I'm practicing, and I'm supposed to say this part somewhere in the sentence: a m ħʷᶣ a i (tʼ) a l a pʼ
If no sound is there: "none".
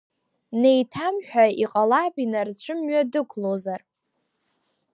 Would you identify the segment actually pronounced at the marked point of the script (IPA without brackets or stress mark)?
qʼ